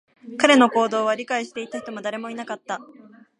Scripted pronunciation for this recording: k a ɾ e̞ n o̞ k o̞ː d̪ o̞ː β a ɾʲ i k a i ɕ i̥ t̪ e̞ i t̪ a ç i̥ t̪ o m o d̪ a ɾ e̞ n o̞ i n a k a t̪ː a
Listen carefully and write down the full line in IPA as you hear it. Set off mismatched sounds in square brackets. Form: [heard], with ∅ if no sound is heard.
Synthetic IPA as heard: k a ɾ e̞ n o̞ k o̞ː d̪ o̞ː β a ɾʲ i k a i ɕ i̥ t̪ e̞ i t̪ a ç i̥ t̪ o m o d̪ a ɾ e̞ [m] o̞ i n a k a t̪ː a